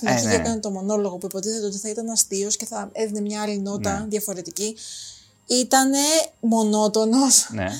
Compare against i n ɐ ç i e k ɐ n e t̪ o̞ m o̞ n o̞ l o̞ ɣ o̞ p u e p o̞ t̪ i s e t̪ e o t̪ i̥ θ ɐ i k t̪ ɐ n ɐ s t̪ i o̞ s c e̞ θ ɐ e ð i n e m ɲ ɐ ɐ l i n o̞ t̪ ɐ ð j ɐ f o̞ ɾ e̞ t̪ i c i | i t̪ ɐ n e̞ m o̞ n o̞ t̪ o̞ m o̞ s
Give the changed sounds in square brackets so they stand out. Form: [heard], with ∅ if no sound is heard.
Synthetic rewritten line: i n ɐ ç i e k ɐ n e t̪ o̞ m o̞ n o̞ l o̞ ɣ o̞ p u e p o̞ t̪ i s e t̪ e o t̪ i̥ θ ɐ i [∅] t̪ ɐ n ɐ s t̪ i o̞ s c e̞ θ ɐ e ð i n e m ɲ ɐ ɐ l i n o̞ t̪ ɐ ð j ɐ f o̞ ɾ e̞ t̪ i c i | i t̪ ɐ n e̞ m o̞ n o̞ t̪ o̞ [n] o̞ s